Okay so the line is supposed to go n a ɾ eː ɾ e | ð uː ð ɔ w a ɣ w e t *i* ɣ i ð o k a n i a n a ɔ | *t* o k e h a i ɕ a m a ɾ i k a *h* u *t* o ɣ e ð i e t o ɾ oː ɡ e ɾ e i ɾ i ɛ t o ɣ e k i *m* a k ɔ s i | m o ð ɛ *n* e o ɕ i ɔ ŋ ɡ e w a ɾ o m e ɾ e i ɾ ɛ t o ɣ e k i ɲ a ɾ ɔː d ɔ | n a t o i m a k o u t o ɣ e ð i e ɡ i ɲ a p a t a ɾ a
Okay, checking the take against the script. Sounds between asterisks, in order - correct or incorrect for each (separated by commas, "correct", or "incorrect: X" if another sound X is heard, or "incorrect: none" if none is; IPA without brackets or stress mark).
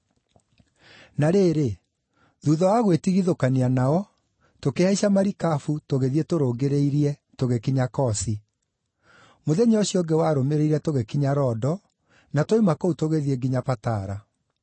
correct, correct, incorrect: f, correct, incorrect: ɲ, incorrect: ɲ